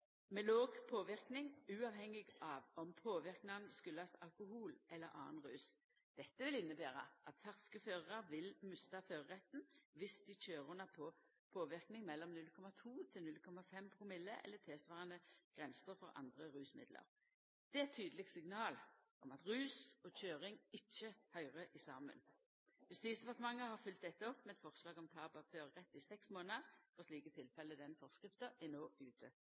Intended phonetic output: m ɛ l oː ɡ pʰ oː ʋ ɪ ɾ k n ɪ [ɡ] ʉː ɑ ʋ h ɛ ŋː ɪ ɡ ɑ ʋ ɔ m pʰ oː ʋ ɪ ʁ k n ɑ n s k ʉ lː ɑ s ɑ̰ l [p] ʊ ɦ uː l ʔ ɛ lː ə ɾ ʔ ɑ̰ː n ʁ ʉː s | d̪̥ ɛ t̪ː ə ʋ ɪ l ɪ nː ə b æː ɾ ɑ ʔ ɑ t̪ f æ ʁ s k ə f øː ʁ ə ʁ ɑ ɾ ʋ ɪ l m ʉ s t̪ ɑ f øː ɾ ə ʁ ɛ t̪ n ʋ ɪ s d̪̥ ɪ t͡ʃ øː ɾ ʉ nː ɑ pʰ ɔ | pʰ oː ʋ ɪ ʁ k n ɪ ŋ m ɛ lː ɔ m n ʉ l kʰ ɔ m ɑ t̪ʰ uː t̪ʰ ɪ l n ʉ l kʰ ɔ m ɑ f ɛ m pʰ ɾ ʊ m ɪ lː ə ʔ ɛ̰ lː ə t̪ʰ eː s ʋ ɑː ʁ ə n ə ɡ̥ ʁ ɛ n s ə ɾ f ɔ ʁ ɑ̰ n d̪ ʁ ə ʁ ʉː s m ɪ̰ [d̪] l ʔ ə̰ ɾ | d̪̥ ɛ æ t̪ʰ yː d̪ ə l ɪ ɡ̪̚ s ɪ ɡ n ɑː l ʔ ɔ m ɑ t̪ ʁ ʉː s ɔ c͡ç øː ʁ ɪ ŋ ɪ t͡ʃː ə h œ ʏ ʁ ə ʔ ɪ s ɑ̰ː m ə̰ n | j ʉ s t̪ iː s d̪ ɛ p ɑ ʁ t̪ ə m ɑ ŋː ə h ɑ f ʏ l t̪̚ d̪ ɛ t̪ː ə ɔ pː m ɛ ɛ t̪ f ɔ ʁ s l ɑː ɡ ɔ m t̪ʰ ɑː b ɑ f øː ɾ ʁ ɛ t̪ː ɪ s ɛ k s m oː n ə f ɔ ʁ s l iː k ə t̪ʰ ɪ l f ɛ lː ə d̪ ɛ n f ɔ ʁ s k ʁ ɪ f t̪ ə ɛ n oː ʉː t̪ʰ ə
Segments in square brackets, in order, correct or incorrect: incorrect: ŋ, incorrect: k, correct

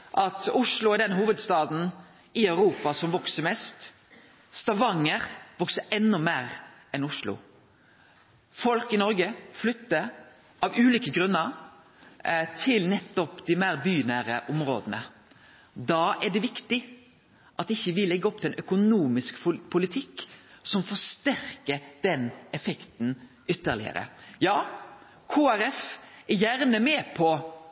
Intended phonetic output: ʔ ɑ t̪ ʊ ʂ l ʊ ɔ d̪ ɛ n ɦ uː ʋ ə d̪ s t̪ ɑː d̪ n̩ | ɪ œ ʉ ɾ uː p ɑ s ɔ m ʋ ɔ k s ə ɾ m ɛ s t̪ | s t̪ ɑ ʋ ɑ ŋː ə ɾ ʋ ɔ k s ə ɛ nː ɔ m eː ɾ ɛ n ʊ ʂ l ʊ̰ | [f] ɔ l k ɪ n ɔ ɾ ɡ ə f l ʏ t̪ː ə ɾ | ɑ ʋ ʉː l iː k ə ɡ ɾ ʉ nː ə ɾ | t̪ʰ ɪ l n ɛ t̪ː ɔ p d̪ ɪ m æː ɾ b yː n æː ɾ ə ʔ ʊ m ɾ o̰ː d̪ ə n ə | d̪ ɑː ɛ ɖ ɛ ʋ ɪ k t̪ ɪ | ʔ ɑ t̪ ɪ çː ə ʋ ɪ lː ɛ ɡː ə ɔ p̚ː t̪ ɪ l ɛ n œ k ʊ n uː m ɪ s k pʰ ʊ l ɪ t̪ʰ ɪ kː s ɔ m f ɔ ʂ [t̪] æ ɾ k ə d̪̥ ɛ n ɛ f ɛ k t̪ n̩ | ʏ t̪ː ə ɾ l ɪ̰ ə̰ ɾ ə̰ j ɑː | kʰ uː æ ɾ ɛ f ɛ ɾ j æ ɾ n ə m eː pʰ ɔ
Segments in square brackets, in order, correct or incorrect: correct, correct

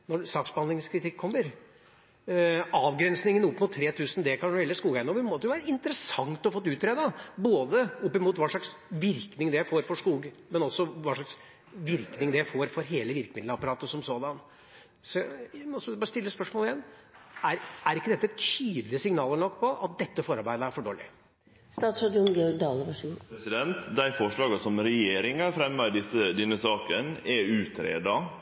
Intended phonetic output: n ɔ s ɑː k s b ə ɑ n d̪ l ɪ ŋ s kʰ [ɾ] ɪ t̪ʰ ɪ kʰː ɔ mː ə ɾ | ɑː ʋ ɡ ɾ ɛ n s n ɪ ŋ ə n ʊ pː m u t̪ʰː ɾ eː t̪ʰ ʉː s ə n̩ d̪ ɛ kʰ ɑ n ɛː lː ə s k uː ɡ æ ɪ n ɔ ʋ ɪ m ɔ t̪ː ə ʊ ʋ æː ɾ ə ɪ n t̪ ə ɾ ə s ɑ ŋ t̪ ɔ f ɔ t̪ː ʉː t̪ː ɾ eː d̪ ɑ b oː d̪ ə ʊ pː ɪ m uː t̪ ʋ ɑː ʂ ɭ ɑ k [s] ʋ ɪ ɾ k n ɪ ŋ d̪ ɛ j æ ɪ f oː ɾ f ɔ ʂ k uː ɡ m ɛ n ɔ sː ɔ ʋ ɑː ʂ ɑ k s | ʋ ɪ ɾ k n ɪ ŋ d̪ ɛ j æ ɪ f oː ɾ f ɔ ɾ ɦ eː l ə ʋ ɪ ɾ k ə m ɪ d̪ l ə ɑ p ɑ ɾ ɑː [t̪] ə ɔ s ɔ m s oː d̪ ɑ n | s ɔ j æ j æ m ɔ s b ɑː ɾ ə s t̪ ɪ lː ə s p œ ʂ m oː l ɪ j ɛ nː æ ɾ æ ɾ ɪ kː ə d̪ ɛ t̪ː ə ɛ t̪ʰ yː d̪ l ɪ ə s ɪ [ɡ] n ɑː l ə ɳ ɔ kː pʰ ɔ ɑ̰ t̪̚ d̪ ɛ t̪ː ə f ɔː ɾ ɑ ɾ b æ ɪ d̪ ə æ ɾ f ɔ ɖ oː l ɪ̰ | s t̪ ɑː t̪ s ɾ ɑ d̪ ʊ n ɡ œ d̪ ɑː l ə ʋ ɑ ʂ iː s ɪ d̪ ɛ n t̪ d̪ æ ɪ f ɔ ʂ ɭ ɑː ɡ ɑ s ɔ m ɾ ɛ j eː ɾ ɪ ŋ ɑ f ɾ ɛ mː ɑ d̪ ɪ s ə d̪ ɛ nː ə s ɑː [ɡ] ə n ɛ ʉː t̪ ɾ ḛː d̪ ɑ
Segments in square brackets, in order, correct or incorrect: correct, correct, correct, incorrect: ŋ, incorrect: k

